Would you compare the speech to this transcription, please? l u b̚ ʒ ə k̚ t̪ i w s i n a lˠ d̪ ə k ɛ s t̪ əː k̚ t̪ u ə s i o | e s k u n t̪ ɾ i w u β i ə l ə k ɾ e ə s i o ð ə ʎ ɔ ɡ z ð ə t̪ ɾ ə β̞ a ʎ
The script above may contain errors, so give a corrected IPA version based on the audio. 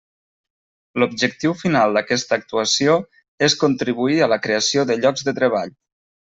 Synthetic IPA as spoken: l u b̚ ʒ ə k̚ t̪ i w f i n a lˠ d̪ ə k ɛ s t̪ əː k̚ t̪ u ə s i o | e s k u n t̪ ɾ i β u i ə l ə k ɾ e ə s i o ð ə ʎ ɔ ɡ z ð ə t̪ ɾ ə β̞ a ʎ